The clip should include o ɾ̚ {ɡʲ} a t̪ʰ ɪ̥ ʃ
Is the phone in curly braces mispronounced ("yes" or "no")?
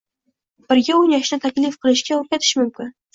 yes